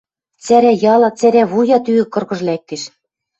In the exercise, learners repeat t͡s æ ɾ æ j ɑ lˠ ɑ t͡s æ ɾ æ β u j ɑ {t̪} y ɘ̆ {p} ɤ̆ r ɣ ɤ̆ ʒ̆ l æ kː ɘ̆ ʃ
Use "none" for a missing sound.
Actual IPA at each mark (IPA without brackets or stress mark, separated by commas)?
t̪, k